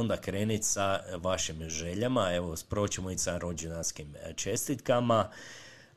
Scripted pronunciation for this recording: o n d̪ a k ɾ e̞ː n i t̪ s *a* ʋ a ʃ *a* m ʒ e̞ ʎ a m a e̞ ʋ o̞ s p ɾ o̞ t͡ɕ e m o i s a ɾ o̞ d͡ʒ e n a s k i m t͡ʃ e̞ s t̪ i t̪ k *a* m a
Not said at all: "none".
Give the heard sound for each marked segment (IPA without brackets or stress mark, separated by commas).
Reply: a, i, a